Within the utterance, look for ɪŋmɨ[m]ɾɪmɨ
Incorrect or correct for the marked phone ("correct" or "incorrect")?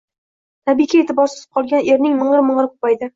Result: incorrect